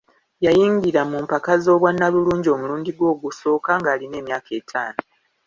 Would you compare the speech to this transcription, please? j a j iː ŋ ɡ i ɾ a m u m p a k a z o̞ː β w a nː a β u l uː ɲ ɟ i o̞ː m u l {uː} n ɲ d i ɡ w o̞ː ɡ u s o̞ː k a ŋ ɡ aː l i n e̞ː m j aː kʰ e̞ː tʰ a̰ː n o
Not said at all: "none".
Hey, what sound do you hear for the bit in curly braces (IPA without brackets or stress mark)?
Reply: uː